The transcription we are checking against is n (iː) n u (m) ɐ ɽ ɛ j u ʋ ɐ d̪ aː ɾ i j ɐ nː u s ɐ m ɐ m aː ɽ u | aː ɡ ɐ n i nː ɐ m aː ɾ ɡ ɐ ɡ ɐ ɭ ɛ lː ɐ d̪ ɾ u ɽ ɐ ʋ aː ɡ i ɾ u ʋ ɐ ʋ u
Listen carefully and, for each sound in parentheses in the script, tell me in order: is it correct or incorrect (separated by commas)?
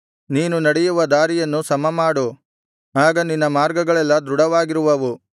correct, incorrect